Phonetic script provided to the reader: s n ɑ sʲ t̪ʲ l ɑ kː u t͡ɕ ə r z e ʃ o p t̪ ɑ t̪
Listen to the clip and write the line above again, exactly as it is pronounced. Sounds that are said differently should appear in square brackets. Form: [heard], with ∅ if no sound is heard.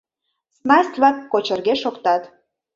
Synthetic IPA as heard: s n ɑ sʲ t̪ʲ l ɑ kː [o] t͡ɕ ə r [ɣ] e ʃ o [k] t̪ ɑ t̪